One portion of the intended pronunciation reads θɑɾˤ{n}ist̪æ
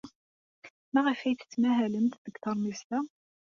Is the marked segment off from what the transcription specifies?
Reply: yes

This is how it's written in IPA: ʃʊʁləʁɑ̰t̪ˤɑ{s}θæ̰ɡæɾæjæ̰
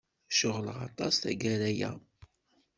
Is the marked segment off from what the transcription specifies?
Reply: no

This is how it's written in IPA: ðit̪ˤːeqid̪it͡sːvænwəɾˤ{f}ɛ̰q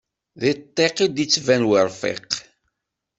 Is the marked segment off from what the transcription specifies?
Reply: no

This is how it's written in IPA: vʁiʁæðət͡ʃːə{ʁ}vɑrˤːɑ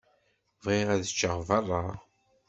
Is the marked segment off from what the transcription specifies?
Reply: no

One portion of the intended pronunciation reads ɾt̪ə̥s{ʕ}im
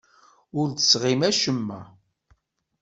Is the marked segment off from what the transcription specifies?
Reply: yes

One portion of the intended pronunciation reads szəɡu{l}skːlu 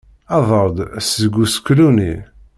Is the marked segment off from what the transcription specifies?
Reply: yes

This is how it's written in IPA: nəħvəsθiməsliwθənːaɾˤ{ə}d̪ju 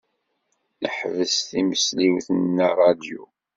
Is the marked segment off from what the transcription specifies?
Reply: yes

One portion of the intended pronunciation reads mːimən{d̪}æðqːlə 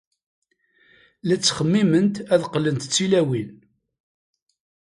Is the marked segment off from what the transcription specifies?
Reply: yes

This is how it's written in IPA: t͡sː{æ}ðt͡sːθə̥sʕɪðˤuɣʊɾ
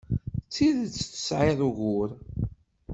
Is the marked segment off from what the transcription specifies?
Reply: yes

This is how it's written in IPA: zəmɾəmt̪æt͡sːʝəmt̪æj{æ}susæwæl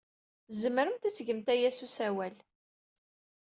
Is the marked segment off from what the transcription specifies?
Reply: no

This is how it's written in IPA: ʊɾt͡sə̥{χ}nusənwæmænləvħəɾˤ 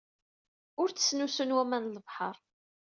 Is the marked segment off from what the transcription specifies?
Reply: yes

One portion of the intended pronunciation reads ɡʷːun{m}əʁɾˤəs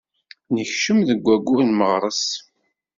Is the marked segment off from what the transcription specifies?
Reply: no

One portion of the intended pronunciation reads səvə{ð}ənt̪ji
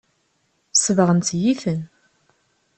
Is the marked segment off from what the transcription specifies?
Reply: yes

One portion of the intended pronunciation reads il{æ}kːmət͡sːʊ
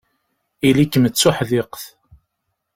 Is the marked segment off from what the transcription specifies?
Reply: yes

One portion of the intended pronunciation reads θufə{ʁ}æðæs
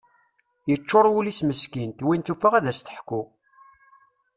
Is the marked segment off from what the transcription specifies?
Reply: no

